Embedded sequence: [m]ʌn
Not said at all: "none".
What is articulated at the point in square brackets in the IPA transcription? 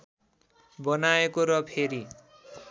b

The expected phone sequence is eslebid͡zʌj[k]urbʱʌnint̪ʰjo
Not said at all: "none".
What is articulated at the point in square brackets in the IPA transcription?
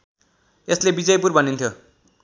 p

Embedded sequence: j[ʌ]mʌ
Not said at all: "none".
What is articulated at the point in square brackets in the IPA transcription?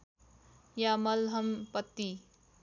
a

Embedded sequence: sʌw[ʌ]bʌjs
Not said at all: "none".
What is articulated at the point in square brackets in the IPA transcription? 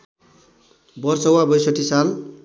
a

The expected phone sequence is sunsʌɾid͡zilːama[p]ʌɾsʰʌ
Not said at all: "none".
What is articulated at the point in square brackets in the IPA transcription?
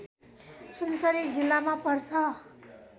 p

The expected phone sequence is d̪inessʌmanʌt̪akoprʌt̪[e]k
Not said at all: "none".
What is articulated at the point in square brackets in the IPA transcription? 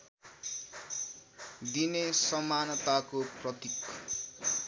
i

